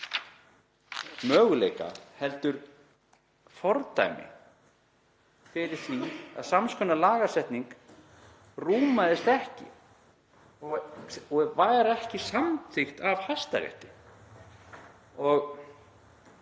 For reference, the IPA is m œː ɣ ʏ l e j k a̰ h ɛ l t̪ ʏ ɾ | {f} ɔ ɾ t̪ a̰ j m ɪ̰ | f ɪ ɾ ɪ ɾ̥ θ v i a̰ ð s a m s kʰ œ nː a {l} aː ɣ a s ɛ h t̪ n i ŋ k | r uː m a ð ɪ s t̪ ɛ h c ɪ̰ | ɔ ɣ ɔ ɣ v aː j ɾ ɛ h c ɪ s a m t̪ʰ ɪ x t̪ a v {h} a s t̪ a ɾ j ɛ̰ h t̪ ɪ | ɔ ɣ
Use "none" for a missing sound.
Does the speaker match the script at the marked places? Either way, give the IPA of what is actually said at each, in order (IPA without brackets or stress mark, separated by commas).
f, l, h